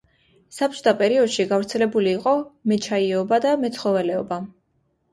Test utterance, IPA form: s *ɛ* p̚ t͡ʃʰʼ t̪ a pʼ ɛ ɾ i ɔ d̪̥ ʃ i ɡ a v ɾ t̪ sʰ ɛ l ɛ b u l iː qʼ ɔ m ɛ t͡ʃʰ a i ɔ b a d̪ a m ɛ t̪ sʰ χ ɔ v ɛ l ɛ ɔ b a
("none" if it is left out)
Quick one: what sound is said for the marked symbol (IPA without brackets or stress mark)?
a